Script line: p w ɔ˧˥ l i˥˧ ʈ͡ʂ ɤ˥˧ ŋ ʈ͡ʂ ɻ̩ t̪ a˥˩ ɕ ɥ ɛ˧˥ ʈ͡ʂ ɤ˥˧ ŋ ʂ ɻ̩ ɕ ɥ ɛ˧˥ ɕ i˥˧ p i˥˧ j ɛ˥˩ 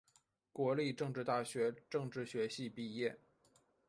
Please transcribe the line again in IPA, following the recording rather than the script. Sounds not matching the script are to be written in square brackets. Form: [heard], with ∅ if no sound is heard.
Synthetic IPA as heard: [k] w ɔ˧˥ l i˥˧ ʈ͡ʂ ɤ˥˧ ŋ ʈ͡ʂ ɻ̩ t̪ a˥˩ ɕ ɥ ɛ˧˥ ʈ͡ʂ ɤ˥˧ ŋ [ʈ͡ʂ] ɻ̩ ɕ ɥ ɛ˧˥ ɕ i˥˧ p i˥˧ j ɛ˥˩